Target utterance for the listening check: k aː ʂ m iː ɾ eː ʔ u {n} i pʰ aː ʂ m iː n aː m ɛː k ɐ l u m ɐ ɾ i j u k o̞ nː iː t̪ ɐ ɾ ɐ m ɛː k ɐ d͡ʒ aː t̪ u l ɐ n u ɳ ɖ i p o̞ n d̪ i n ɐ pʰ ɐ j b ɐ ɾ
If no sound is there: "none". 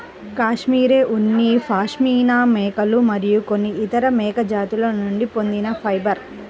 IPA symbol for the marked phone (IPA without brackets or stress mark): nː